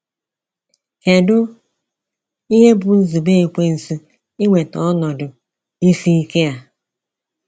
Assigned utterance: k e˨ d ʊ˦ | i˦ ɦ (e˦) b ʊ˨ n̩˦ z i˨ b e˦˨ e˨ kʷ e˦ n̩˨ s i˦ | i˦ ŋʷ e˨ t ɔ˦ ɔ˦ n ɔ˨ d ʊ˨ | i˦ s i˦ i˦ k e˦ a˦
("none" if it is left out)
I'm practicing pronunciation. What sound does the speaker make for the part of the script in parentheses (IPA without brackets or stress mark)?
e˦